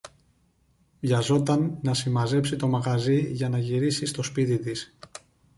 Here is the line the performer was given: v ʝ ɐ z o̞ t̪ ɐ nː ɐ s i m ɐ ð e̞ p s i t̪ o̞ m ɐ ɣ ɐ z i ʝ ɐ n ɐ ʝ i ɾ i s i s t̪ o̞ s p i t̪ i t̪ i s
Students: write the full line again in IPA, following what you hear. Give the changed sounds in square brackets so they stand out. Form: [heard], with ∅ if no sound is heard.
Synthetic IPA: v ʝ ɐ z o̞ t̪ ɐ nː ɐ s i m ɐ [z] e̞ p s i t̪ o̞ m ɐ ɣ ɐ z i ʝ ɐ n ɐ ʝ i ɾ i s i s t̪ o̞ s p i t̪ i t̪ i s